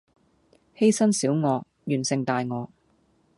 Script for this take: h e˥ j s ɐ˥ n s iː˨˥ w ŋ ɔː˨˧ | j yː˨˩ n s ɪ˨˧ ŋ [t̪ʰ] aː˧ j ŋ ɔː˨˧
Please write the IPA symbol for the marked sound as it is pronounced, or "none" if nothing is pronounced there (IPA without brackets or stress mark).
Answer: t̪